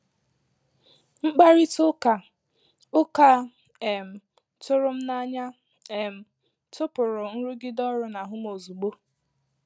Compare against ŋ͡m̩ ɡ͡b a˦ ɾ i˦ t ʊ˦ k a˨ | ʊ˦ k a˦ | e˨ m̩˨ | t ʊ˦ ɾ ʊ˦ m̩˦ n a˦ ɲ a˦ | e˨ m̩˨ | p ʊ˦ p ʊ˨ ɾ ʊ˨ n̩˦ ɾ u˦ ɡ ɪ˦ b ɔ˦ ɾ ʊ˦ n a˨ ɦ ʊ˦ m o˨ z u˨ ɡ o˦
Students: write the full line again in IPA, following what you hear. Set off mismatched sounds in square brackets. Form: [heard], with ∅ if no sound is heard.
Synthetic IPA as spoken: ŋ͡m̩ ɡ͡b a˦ ɾ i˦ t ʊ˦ k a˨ | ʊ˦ k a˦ | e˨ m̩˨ | t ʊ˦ ɾ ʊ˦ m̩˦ n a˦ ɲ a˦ | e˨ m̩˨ | [t] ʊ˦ p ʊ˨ ɾ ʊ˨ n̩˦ ɾ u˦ ɡ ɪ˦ [d] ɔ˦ ɾ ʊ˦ n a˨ ɦ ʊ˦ m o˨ z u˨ [ɡ͡b] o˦